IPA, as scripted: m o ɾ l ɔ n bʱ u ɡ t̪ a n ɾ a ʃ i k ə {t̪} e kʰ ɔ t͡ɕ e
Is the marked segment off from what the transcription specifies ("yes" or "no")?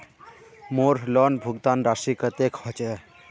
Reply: no